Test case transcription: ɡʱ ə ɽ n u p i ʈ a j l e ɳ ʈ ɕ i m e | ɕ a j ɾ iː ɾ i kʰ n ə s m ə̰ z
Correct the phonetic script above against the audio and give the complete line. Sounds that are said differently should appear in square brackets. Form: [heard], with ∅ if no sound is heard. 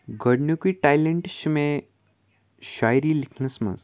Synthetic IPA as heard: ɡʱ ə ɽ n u [k] i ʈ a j l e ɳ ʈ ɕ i m e | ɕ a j ɾ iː [l] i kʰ n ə s m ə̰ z